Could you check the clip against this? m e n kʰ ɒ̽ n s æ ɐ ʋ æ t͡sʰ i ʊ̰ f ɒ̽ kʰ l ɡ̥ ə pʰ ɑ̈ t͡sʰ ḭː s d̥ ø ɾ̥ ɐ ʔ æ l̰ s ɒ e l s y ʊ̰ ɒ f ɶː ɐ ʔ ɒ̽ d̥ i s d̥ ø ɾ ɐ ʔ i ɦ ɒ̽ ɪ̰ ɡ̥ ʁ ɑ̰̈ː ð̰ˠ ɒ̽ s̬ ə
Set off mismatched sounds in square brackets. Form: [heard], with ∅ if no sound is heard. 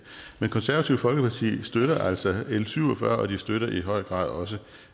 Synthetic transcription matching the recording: m e n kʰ ɒ̽ n s æ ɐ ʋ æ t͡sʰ i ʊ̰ f ɒ̽ [∅] l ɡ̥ ə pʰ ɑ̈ t͡sʰ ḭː s d̥ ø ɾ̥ ɐ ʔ æ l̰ s ɒ e l s y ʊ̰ ɒ f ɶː ɐ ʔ ɒ̽ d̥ i s d̥ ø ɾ ɐ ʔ i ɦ ɒ̽ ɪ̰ ɡ̥ ʁ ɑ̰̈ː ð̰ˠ ɒ̽ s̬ ə